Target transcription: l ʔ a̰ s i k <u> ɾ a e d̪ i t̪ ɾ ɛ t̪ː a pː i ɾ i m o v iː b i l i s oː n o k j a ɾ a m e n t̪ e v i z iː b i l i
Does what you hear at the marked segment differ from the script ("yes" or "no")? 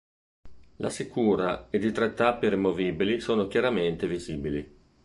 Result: yes